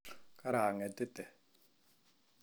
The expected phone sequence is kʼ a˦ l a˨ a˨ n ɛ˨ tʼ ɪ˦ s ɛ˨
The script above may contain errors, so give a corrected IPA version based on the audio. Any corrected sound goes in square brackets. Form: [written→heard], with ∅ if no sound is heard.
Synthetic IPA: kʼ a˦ [l→ɾ] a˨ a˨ [n→ŋ] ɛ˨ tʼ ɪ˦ [s→t] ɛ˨